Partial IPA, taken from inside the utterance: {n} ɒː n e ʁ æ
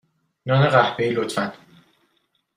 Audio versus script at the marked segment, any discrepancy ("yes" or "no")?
no